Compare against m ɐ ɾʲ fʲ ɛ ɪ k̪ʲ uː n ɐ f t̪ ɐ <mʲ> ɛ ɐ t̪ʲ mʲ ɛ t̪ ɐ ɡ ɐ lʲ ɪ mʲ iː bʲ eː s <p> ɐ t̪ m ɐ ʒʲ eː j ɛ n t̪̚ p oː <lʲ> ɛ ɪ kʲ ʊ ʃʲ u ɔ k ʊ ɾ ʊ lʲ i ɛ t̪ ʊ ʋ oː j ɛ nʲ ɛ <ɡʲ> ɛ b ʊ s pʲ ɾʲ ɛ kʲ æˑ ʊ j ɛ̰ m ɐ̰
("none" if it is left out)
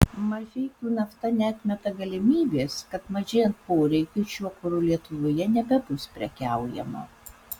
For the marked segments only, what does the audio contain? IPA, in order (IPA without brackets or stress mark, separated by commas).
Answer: nʲ, k, ɾʲ, bʲ